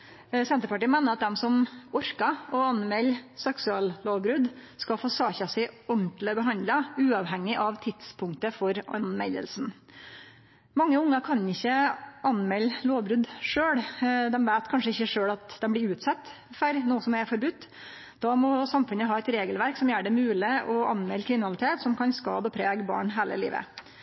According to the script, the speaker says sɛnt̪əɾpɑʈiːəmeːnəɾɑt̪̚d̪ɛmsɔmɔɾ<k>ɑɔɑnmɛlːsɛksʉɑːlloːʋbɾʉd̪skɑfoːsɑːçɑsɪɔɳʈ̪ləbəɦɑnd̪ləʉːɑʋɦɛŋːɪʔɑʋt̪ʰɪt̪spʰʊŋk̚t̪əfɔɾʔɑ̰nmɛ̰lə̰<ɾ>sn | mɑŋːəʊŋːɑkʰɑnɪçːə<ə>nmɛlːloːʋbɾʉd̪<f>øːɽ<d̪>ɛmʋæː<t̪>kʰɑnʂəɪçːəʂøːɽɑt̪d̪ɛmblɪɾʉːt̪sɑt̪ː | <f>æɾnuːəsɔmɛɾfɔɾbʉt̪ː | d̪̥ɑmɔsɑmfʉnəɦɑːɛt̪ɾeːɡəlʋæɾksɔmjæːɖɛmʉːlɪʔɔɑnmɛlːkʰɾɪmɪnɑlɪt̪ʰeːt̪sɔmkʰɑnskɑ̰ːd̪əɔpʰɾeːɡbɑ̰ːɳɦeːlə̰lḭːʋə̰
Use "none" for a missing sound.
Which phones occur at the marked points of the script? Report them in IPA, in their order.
k, l, ɑ, ʂ, d̪, t̪, f

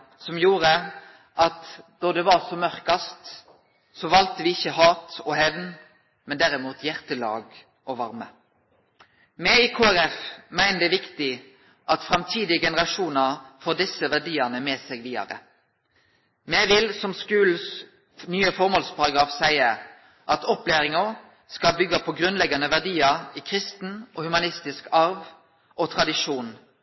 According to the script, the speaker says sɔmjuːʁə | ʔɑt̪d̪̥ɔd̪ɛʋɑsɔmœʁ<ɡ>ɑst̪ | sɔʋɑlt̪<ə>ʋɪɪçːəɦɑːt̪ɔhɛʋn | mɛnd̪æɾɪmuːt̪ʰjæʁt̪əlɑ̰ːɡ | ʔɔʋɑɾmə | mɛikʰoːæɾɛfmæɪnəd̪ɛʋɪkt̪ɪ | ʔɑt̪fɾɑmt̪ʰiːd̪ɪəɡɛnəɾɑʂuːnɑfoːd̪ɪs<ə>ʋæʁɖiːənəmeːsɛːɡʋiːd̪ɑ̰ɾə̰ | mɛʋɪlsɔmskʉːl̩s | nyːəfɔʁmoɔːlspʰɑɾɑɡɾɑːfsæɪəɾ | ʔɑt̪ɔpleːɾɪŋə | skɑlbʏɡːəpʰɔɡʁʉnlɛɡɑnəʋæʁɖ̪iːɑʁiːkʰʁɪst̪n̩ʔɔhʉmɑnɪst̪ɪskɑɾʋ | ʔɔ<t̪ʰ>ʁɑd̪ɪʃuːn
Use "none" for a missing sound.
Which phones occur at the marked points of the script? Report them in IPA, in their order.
k, ə, ə, t̪ʰ

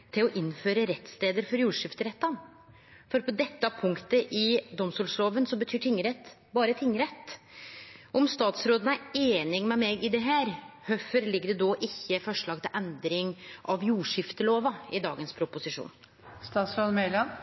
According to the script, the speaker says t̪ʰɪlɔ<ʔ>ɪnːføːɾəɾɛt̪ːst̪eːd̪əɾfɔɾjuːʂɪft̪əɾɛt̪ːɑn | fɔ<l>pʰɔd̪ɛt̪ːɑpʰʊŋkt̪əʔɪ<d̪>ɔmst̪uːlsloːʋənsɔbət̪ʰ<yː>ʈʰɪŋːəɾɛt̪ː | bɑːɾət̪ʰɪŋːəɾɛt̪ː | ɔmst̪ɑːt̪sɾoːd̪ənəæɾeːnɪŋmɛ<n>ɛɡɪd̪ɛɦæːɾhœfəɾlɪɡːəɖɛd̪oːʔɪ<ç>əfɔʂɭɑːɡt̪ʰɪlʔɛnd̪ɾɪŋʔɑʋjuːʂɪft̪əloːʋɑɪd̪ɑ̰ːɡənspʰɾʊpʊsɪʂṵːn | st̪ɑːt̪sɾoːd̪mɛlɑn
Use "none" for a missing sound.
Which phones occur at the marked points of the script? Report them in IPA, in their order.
ʔ, ɾ, d̪, yː, m, çː

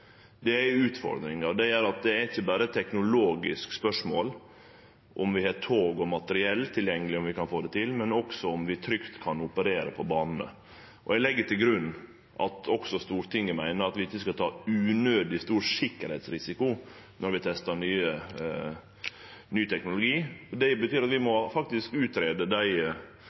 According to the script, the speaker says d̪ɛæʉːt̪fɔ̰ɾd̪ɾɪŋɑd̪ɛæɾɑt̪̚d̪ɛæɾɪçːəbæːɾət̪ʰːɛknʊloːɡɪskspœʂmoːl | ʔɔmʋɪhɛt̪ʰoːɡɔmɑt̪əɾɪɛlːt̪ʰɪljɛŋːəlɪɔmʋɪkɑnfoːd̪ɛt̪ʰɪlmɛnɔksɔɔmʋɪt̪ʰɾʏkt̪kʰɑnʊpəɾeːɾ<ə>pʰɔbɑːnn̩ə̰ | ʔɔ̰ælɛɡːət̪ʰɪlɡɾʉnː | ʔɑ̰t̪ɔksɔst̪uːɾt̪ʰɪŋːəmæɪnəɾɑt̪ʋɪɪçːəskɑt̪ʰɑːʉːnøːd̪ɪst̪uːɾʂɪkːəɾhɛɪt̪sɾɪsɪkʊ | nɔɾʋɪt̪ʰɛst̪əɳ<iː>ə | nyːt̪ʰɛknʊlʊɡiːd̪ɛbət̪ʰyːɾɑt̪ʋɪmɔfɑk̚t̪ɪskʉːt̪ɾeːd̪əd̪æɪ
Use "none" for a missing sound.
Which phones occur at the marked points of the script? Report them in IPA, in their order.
ə, yː

